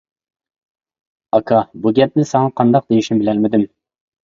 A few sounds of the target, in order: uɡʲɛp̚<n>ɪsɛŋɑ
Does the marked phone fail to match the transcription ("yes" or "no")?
no